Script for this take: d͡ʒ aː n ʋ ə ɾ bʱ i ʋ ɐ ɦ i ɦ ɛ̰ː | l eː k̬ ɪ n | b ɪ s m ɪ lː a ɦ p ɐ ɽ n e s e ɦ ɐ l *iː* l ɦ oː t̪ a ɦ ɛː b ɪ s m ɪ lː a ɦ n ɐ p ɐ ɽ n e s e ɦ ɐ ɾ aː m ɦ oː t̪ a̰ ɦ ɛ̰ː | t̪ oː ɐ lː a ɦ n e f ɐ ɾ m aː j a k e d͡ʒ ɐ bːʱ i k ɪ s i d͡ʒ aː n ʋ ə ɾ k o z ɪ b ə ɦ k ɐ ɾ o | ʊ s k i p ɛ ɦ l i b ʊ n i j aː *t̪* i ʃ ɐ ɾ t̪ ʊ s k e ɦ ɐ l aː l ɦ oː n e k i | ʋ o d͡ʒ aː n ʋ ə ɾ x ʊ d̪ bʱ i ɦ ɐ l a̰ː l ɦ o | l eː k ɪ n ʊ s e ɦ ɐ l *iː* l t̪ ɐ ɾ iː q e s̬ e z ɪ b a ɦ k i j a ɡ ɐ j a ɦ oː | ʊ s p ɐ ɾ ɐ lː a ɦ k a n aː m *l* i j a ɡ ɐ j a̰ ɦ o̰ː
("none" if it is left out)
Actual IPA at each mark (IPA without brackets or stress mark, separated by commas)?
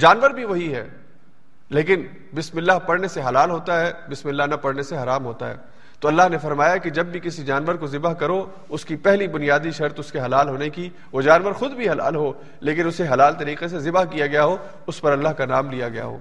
aː, d̪, aː, l